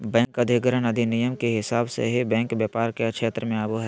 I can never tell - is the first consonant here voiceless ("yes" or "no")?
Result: no